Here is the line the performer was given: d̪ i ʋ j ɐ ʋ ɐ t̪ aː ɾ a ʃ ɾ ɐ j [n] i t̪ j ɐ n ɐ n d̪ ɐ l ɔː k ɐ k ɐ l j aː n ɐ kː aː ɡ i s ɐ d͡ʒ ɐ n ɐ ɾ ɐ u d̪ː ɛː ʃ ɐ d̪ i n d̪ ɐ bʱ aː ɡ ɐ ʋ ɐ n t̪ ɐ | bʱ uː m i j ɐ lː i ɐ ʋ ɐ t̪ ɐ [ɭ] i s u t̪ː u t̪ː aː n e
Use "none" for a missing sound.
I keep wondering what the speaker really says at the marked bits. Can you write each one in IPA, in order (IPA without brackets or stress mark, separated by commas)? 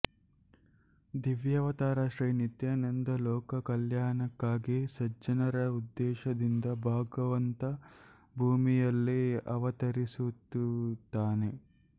n, ɾ